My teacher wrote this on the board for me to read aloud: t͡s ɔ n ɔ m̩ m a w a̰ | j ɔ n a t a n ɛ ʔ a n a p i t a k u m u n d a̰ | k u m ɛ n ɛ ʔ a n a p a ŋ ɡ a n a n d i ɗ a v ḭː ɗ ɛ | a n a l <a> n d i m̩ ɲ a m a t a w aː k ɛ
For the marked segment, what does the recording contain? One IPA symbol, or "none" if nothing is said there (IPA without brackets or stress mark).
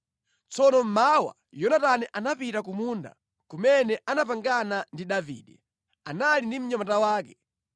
i